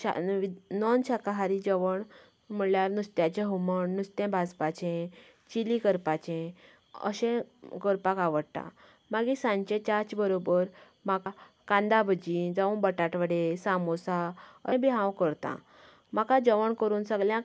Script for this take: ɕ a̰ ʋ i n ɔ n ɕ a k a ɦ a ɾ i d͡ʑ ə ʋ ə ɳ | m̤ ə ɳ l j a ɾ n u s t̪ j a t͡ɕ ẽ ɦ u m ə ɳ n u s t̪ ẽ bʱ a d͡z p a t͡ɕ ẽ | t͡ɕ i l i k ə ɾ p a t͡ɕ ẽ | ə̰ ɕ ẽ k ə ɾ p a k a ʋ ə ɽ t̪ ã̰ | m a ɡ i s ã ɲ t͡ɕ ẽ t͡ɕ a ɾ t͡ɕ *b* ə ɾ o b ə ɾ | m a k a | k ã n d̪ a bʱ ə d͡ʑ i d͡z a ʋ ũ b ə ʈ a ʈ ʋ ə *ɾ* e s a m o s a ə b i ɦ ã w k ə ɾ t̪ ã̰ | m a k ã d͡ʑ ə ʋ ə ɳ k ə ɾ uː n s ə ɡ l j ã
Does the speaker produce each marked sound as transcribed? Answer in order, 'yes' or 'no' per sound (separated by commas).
yes, no